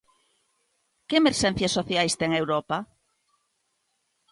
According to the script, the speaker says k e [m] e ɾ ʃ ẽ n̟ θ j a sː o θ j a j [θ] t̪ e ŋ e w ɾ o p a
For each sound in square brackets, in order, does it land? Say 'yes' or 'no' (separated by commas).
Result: yes, no